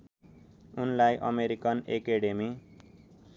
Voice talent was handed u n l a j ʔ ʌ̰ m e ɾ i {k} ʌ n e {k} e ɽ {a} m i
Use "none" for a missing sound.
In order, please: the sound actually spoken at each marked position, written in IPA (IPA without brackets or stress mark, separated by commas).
k, k, e